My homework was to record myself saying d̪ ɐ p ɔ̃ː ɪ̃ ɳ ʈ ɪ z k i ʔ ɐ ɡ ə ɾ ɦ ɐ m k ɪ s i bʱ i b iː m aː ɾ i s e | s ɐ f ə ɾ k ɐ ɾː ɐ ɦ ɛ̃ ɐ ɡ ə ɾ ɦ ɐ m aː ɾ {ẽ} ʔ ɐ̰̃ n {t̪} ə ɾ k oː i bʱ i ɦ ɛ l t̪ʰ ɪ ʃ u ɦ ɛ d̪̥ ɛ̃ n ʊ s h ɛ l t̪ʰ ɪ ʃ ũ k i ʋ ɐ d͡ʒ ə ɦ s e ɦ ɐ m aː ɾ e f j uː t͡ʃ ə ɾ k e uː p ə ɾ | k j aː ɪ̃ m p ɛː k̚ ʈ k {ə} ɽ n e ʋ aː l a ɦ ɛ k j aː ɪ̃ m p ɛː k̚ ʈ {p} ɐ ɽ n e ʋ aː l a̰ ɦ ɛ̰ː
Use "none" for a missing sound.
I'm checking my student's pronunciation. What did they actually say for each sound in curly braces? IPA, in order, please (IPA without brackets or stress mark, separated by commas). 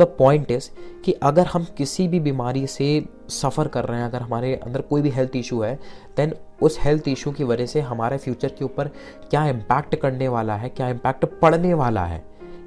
e, d̪, ɐ, p